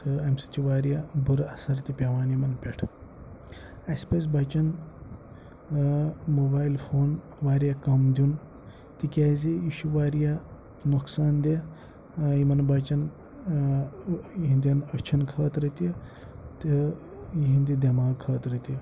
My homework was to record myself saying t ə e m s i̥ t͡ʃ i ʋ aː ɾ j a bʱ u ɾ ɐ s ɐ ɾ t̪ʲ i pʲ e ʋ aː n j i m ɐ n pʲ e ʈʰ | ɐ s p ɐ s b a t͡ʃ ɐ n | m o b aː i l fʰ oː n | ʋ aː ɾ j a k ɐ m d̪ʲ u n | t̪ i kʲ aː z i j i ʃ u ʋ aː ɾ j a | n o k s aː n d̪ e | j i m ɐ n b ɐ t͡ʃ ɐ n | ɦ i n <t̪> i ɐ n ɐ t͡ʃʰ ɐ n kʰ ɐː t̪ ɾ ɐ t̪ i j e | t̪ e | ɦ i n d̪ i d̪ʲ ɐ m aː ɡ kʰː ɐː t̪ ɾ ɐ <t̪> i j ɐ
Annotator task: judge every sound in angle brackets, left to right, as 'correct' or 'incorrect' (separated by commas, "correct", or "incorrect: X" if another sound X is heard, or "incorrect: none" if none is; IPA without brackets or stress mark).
incorrect: d̪, correct